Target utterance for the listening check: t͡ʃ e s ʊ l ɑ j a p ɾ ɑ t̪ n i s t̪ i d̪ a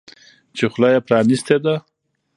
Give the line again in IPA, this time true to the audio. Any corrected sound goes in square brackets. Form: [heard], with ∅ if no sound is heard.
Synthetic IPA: t͡ʃ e [x] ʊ l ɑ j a p ɾ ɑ [∅] n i s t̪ [e] d̪ a